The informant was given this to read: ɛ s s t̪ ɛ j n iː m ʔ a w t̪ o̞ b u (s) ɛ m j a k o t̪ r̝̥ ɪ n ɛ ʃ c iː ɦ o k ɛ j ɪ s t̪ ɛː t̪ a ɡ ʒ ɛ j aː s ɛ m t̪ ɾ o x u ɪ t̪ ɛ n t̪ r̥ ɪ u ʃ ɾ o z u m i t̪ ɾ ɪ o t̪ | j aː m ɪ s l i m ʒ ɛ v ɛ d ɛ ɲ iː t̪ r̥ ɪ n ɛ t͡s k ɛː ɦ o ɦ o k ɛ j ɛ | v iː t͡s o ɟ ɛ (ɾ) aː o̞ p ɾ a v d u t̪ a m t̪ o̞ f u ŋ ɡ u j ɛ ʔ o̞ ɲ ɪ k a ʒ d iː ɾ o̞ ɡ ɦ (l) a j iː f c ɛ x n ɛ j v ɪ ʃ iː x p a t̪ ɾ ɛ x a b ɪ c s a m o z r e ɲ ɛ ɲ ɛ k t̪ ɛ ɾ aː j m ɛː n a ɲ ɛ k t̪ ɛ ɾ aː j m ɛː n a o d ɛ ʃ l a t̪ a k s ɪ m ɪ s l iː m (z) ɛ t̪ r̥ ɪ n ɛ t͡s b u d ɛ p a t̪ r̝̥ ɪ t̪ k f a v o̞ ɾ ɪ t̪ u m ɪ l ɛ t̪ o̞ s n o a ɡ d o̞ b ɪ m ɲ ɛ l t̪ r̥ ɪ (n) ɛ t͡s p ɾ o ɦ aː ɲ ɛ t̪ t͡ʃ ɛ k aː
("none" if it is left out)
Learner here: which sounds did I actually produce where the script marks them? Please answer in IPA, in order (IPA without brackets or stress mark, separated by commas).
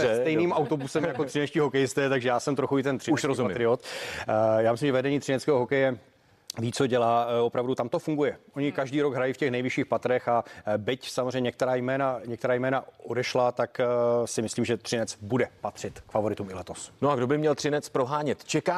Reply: s, l, ɾ, ʒ, n